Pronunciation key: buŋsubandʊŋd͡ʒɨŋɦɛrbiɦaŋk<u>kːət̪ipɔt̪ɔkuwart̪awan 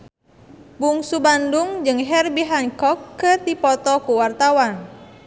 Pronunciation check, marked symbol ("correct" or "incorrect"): incorrect